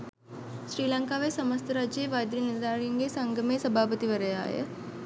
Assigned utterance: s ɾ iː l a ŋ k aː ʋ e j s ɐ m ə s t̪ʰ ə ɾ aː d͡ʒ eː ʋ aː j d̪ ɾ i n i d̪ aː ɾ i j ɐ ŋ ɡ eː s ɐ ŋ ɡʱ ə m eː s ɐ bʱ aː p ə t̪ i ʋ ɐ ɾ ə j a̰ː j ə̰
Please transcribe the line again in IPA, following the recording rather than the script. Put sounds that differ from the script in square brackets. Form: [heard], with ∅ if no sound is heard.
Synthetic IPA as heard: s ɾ iː l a ŋ k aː ʋ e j s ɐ m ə s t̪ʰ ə ɾ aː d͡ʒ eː ʋ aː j d̪ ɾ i n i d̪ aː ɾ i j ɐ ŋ ɡ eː s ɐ ŋ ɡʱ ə m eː s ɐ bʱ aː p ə t̪ i ʋ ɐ ɾ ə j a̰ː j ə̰